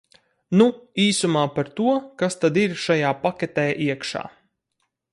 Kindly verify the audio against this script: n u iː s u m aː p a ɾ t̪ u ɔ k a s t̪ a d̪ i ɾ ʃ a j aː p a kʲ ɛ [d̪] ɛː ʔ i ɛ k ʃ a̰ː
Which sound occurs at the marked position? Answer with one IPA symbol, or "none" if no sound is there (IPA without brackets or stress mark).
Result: t̪